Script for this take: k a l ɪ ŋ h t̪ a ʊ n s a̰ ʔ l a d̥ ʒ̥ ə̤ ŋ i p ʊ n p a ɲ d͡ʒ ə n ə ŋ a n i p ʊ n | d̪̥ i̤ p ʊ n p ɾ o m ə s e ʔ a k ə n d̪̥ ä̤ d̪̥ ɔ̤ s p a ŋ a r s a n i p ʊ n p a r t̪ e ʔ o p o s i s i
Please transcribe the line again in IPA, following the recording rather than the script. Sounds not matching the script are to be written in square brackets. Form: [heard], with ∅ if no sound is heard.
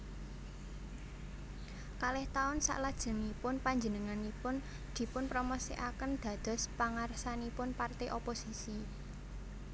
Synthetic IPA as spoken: k a l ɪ [∅] h t̪ a ʊ n s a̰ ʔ l a d̥ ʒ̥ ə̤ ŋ i p ʊ n p a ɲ d͡ʒ ə n ə ŋ a n i p ʊ n | d̪̥ i̤ p ʊ n p ɾ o m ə s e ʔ a k ə n d̪̥ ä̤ d̪̥ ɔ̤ s p a ŋ a r s a n i p ʊ n p a r t̪ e ʔ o p o s i s i